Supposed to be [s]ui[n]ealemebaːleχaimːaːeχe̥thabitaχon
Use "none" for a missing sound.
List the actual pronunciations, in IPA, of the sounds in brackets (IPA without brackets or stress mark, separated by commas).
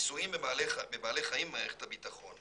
s, m